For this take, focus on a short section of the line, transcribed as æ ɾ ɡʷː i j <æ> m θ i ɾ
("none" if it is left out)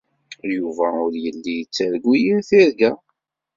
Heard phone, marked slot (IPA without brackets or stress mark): i